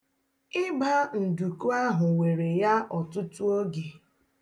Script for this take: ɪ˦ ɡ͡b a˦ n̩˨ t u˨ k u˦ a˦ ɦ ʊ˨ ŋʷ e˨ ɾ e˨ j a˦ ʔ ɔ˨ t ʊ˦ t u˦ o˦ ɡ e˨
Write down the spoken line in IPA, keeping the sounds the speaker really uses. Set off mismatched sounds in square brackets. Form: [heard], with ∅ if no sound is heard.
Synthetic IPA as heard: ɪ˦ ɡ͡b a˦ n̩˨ [d] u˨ k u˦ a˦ ɦ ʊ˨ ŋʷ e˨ ɾ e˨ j a˦ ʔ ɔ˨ t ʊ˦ t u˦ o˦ ɡ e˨